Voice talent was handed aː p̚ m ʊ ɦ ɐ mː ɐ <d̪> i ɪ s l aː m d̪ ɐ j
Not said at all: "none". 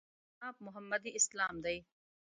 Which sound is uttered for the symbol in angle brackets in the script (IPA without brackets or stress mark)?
d̪